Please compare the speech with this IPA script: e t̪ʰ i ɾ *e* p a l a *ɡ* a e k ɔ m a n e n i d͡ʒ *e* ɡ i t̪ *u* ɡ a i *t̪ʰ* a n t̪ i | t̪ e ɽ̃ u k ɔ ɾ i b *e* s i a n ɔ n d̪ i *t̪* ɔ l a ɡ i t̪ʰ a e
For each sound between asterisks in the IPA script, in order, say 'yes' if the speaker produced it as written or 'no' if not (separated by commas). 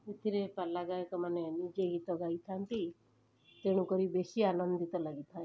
yes, yes, yes, no, yes, yes, yes